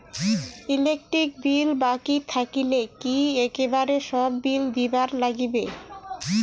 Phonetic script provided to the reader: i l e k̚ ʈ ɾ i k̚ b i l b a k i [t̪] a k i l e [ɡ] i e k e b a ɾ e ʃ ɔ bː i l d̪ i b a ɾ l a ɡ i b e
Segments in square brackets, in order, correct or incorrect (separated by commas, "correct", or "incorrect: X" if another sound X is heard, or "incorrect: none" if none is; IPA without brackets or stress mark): incorrect: t̪ʰ, incorrect: k